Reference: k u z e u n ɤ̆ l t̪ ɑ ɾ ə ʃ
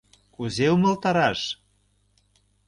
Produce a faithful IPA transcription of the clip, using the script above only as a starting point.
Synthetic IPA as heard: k u z e u m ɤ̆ l t̪ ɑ ɾ ɑ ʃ